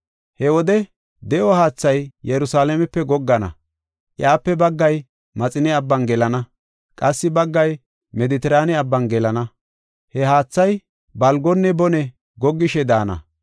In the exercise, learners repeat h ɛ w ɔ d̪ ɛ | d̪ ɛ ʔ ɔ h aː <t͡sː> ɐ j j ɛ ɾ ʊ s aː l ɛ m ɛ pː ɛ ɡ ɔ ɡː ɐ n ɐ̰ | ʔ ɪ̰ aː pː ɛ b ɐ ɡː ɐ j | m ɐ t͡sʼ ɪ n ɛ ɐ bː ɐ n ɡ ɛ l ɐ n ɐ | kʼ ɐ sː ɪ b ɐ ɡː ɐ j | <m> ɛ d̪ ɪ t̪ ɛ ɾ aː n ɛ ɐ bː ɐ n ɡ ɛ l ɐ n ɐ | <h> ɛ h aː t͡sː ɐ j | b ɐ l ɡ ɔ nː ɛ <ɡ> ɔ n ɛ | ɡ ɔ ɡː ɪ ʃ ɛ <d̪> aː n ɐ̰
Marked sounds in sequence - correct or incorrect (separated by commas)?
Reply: correct, correct, correct, incorrect, correct